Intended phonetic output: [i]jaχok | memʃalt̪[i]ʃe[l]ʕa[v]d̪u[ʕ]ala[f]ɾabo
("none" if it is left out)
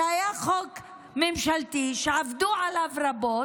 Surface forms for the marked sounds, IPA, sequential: a, i, none, v, ʕ, v

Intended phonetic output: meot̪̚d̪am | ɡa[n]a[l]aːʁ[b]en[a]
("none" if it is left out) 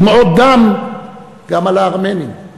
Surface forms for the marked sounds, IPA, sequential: m, l, m, i

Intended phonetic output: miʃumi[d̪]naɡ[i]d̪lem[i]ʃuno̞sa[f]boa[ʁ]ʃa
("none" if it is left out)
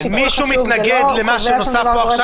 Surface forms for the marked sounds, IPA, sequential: t̪, e, a, f, χ

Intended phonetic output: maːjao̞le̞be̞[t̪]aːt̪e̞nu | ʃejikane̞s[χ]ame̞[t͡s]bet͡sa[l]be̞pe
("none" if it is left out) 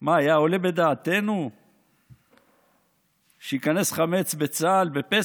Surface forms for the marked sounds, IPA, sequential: d̪, χ, t͡s, l

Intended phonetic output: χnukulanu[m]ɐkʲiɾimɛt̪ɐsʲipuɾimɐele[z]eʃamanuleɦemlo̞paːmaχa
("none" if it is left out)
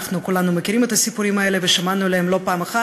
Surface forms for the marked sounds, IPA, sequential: m, v

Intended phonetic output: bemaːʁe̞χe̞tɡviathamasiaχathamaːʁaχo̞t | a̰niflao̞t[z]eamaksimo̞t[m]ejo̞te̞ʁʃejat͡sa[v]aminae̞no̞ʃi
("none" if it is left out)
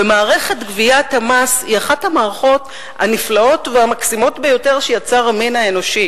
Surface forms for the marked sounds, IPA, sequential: v, b, ʁ

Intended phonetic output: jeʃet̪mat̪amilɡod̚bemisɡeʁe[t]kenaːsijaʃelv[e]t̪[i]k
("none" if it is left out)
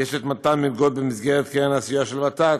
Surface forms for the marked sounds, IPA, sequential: t, a, a

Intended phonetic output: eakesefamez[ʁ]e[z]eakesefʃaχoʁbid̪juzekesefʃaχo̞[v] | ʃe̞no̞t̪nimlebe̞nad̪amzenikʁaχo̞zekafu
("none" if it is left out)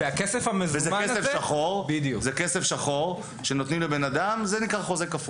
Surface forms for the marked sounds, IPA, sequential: v, z, ʁ

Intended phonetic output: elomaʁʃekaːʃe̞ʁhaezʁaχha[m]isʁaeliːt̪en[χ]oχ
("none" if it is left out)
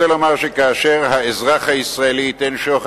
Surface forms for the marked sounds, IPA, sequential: none, ʃ

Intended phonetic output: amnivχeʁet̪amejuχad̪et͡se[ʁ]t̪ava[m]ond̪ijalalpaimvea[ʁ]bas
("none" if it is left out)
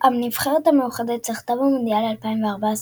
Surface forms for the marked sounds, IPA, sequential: χ, m, ʁ

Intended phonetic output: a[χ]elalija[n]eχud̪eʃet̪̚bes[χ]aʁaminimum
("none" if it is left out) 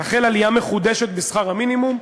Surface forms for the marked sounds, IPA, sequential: χ, m, χ

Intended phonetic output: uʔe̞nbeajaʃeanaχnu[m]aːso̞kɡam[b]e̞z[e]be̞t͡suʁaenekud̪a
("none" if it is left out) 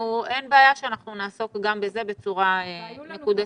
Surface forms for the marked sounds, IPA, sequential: n, b, e

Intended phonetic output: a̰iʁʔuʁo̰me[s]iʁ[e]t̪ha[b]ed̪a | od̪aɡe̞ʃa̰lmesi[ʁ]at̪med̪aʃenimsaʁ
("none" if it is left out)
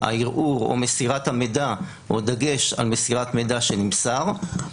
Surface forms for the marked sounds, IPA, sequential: s, a, m, ʁ

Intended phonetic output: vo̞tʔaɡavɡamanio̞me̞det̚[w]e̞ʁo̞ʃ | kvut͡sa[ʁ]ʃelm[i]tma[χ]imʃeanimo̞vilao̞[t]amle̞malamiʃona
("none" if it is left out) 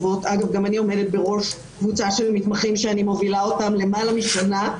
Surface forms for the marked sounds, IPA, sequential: b, none, i, χ, t

